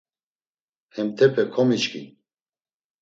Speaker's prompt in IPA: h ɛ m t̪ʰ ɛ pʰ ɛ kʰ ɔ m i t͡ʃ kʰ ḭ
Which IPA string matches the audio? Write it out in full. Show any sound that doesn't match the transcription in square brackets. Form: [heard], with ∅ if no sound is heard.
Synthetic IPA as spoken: h ɛ m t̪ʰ ɛ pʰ ɛ kʰ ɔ m i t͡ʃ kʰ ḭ